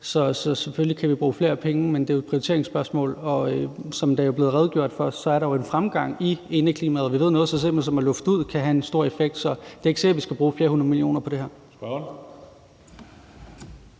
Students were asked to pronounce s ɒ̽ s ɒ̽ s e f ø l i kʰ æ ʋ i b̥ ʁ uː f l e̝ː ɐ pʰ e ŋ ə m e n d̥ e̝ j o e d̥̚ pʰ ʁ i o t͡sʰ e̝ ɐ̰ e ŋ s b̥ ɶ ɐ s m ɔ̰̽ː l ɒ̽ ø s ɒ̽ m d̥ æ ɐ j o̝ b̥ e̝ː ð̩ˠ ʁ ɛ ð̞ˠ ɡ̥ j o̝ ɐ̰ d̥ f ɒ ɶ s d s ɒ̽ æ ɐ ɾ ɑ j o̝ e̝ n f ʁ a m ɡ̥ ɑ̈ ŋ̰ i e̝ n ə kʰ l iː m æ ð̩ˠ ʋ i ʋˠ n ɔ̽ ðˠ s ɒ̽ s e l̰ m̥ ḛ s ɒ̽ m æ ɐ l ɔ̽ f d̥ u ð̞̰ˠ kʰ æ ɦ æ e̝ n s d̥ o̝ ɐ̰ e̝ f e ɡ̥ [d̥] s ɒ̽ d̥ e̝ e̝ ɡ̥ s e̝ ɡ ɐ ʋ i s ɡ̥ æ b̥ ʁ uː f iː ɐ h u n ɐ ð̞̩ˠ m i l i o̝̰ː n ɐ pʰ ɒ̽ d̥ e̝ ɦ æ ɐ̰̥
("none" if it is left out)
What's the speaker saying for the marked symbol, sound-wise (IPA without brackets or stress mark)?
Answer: d̥